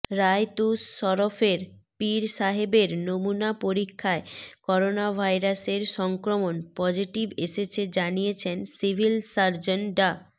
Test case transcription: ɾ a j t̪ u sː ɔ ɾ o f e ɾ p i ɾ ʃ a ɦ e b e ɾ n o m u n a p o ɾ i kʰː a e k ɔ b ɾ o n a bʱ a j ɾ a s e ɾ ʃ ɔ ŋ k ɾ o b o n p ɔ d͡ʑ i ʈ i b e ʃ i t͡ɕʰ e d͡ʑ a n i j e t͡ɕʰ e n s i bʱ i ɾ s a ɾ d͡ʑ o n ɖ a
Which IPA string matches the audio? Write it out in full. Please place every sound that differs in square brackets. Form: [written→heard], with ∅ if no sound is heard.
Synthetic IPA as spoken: ɾ a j t̪ u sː ɔ ɾ o f e ɾ p i ɾ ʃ a ɦ e b e ɾ n o m u n a p o ɾ i kʰː a e k ɔ [b→∅] ɾ o n a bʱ a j ɾ a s e ɾ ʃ ɔ ŋ k ɾ o [b→m] o n p ɔ d͡ʑ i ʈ i b e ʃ [i→e] t͡ɕʰ e d͡ʑ a n i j e t͡ɕʰ e n s i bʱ i [ɾ→l] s a ɾ d͡ʑ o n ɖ a